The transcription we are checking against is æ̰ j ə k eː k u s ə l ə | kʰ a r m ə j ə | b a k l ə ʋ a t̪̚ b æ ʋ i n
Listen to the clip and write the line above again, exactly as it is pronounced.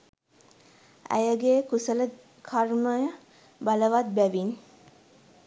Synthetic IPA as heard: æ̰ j ə ɡ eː k u s ə l ə | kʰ a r m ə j ə | b a l ə ʋ a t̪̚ b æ ʋ i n